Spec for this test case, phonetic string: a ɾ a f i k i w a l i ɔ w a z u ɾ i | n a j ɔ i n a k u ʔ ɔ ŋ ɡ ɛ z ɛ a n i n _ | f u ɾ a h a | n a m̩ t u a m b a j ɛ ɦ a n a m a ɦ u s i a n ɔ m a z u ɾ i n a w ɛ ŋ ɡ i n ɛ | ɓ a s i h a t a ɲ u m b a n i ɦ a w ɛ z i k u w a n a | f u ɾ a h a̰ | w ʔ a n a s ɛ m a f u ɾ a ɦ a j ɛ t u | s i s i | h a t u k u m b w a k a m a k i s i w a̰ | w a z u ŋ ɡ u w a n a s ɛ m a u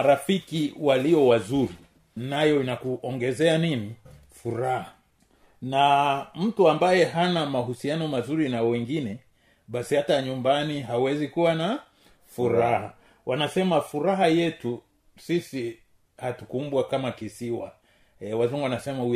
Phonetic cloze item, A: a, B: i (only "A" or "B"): B